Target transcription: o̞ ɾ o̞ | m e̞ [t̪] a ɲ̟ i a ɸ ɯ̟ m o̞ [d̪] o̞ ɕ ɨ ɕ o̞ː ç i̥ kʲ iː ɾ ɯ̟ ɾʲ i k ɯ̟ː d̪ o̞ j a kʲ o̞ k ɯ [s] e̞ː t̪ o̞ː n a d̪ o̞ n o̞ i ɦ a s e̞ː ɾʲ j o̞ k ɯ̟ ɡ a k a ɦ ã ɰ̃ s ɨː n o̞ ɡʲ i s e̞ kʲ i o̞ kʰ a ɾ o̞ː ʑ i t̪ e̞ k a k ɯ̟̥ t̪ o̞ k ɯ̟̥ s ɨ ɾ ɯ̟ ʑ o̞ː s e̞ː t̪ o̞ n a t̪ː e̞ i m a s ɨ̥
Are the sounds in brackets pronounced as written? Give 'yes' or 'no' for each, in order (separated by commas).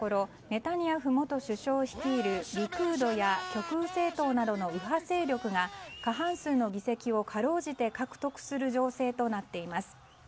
yes, no, yes